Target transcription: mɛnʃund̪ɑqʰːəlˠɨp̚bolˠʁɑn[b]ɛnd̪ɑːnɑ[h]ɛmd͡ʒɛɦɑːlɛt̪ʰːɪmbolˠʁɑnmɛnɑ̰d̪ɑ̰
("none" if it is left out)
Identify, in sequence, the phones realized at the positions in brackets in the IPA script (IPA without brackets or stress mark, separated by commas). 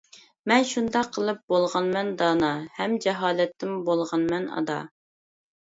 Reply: m, h